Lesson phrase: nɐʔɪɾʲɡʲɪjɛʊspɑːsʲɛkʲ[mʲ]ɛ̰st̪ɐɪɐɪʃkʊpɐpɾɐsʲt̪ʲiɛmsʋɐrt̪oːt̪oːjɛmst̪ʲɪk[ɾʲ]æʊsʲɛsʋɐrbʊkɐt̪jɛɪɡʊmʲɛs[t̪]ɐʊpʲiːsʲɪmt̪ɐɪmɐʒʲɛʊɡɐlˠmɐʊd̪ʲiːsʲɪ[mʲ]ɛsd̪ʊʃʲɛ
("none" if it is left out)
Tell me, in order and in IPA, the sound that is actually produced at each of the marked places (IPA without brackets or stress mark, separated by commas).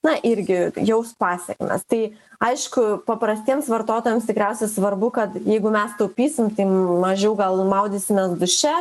mʲ, ɾʲ, t̪, mʲ